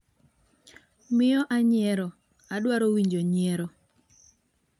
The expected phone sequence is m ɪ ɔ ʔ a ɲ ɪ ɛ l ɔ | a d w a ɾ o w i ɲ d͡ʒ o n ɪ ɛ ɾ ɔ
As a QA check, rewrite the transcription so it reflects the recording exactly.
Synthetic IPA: m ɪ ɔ ʔ a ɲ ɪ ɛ ɾ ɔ | a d w a ɾ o w i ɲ d͡ʒ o ɲ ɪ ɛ ɾ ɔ